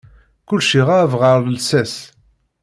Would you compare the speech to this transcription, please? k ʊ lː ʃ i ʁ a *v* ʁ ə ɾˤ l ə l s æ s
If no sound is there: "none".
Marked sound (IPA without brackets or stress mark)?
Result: v